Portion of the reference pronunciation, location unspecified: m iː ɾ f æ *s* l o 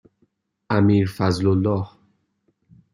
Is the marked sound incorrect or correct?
incorrect